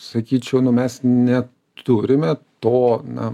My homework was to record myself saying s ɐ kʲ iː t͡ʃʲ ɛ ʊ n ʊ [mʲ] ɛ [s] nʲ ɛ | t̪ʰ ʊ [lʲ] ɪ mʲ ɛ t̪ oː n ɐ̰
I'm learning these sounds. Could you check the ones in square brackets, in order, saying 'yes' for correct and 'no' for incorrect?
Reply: yes, yes, no

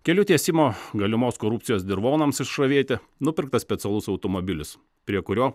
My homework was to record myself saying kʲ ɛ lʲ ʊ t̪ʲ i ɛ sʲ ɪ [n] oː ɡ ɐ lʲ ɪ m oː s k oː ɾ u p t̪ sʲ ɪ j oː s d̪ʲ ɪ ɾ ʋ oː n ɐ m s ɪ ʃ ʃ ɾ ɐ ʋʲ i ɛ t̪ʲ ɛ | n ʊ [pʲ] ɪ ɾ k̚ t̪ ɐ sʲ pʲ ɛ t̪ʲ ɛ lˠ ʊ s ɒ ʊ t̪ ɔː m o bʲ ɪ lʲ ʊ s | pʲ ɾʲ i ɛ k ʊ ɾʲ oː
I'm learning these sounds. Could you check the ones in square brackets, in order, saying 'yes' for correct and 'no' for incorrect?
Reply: no, yes

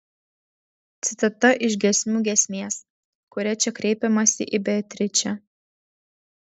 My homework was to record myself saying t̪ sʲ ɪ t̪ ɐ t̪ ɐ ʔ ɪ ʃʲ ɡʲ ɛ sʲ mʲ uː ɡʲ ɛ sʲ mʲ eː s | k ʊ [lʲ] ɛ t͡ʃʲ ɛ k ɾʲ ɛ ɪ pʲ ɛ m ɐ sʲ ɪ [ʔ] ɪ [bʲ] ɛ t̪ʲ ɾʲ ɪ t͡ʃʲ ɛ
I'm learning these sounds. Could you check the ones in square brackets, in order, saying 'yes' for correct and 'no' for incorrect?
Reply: no, yes, yes

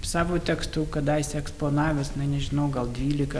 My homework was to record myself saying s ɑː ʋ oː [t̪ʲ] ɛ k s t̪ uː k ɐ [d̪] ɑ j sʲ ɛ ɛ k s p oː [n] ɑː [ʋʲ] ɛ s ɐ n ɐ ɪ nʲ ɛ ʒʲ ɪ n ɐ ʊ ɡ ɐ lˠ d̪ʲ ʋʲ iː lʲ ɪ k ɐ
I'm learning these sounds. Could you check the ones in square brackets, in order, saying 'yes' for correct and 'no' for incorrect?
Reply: yes, yes, yes, yes

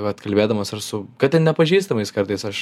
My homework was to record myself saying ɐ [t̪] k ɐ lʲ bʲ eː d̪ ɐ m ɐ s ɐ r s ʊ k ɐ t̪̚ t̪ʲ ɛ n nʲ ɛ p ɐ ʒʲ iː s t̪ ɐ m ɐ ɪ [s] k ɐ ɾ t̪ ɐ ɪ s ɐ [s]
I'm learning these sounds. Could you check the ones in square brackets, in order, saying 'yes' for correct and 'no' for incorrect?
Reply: yes, yes, no

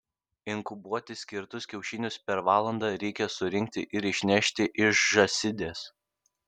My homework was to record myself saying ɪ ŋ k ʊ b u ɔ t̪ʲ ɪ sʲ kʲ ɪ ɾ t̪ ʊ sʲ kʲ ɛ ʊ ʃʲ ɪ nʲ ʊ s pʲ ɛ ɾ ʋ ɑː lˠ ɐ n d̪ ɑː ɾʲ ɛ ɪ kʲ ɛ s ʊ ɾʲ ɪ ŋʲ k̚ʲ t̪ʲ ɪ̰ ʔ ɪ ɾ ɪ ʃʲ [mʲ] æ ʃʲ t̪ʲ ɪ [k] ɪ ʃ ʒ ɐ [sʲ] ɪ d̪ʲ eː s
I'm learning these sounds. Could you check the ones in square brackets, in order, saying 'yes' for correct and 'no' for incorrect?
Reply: no, no, yes

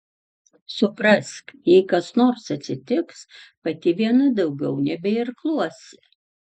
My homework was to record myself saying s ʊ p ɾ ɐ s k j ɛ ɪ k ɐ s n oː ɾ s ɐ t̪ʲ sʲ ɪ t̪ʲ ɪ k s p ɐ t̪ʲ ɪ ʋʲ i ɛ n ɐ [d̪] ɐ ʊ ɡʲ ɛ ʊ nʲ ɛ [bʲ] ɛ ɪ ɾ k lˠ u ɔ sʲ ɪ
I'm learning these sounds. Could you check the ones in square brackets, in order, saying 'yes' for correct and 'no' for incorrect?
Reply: yes, yes

